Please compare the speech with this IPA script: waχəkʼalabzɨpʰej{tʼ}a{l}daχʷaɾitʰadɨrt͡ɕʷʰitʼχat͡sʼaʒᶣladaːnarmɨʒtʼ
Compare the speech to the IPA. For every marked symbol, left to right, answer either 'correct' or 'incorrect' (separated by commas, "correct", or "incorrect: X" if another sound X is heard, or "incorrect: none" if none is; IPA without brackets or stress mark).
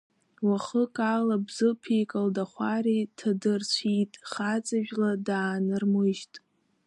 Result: incorrect: kʼ, correct